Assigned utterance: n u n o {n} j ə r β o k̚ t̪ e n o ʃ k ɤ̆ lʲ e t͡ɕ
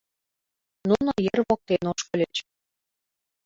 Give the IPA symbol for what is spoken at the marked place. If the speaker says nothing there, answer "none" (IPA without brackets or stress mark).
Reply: none